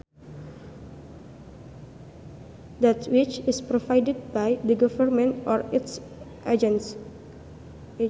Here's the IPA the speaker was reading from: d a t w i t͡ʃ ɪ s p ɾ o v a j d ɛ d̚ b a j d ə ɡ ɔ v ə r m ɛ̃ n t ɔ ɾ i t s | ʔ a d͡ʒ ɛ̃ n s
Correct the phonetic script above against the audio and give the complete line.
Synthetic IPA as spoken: d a t w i t͡ʃ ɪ s p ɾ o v a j d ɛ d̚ b a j d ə ɡ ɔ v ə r m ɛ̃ n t ɔ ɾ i t s | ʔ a d͡ʒ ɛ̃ n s